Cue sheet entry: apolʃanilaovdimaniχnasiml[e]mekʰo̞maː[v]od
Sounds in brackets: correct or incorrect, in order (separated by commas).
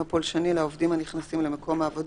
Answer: correct, correct